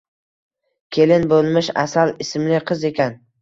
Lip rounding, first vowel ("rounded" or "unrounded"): unrounded